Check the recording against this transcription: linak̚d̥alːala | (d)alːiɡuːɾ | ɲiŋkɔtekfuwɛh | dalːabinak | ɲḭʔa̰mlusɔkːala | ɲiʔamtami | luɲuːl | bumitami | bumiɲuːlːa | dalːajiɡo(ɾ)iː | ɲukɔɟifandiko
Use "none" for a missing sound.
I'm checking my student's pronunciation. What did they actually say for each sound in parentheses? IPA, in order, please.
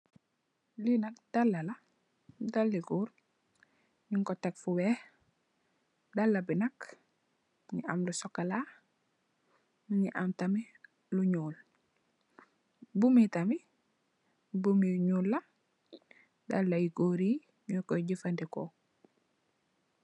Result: d, ɾ

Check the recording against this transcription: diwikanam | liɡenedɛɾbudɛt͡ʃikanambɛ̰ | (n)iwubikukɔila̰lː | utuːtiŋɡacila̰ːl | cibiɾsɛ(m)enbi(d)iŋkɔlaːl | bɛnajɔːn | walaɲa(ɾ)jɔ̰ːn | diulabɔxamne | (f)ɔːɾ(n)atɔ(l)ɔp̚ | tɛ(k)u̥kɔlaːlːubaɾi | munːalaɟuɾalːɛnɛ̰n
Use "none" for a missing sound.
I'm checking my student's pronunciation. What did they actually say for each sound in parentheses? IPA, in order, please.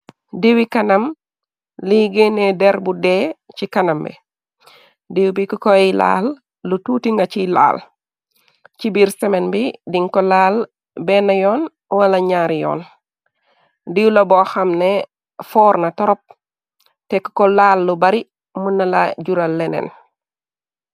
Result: d, m, d, ɾ, f, n, ɾ, k

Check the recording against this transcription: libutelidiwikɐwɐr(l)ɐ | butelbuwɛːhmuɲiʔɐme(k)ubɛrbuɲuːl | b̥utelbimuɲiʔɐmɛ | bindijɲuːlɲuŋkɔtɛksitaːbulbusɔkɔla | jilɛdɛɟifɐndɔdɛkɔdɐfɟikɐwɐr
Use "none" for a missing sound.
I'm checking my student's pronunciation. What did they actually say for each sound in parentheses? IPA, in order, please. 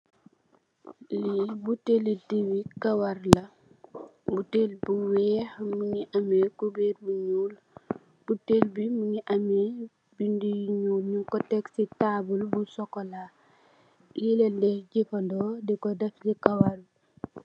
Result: l, k

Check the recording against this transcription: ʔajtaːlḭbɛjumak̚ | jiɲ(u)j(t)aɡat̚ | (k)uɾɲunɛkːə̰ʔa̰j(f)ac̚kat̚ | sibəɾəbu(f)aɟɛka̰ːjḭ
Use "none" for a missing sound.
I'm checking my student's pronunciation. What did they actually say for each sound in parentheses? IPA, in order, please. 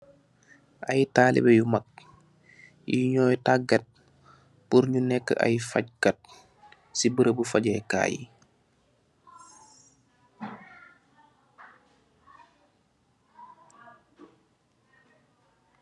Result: ɔ, t, p, f, f

